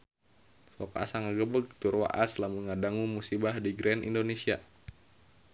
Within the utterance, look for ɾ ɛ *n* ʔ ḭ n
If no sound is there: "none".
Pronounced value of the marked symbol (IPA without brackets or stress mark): n